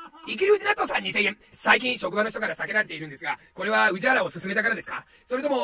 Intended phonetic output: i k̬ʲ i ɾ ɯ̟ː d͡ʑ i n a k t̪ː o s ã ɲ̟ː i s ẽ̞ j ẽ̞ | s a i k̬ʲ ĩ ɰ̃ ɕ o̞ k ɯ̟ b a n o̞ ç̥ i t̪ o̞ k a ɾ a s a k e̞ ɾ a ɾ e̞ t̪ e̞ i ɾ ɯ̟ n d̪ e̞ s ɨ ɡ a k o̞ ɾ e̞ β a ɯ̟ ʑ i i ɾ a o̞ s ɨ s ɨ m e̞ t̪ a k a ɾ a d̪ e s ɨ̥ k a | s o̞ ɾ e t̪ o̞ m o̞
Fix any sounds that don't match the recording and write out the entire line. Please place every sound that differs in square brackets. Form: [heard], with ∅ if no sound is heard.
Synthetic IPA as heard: i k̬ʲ i ɾ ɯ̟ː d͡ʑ i n a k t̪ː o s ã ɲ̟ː i s ẽ̞ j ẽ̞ | s a i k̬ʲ ĩ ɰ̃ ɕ o̞ k ɯ̟ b a n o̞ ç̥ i t̪ o̞ k a ɾ a s a k e̞ ɾ a ɾ e̞ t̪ e̞ i ɾ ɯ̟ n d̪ e̞ s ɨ ɡ a k o̞ ɾ e̞ β a ɯ̟ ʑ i [a] ɾ a o̞ s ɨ s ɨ m e̞ t̪ a k a ɾ a d̪ e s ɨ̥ k a | s o̞ ɾ e t̪ o̞ m o̞